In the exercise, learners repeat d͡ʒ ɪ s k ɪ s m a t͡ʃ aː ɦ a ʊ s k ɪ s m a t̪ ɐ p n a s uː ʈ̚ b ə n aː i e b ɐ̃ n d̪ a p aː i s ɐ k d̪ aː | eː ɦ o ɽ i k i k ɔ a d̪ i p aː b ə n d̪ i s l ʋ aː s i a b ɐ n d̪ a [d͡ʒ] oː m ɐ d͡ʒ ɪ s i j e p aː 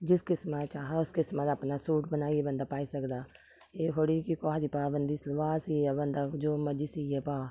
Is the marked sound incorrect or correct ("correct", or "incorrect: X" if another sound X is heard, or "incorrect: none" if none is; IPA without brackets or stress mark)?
correct